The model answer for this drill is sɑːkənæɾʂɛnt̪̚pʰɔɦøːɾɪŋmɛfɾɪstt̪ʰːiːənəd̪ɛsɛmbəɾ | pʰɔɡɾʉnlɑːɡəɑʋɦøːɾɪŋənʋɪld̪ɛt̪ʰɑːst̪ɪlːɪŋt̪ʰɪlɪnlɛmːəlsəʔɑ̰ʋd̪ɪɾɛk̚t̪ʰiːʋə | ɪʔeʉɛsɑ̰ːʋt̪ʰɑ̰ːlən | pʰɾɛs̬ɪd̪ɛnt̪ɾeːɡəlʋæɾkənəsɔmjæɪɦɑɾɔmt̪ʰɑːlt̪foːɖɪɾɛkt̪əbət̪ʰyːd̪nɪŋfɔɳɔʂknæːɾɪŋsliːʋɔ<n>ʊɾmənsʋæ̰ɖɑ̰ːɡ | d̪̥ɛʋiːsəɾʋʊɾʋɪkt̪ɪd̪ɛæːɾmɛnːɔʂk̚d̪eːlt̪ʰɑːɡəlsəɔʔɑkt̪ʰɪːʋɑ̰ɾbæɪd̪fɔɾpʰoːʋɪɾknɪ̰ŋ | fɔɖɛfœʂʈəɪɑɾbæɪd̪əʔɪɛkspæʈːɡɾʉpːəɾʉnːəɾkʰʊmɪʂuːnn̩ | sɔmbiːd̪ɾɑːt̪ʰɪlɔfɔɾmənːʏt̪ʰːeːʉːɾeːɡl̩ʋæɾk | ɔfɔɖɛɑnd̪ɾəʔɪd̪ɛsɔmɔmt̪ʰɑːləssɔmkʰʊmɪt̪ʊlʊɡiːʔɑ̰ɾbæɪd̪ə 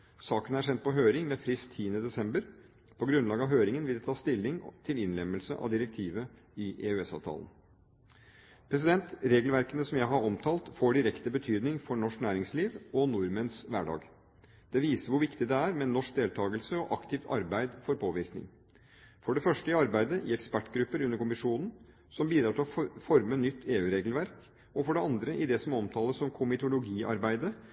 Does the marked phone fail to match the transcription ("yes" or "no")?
no